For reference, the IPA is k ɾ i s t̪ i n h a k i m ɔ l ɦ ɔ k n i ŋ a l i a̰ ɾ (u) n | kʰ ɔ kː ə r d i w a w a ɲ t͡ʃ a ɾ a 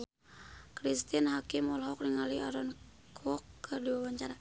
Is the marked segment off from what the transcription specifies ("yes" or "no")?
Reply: yes